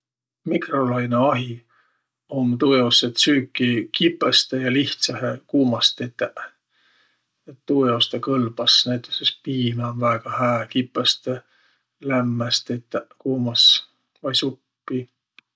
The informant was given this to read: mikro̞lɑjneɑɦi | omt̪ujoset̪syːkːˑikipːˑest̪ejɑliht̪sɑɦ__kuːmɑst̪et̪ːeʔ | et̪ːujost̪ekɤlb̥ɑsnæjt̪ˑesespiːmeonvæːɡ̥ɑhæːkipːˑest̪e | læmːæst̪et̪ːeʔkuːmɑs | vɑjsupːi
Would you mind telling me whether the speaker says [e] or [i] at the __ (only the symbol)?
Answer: e